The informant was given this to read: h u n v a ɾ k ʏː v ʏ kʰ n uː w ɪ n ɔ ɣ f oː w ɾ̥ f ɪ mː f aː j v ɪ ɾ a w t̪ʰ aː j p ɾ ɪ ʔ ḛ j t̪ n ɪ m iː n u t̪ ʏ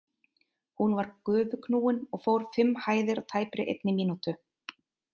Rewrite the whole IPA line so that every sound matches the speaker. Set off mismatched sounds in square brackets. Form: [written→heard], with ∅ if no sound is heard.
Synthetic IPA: h u n v a ɾ k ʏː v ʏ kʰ n uː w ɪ n ɔ ɣ f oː w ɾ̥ f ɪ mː [f→h] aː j [v→ð] ɪ ɾ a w t̪ʰ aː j p ɾ ɪ ʔ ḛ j t̪ n ɪ m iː n u t̪ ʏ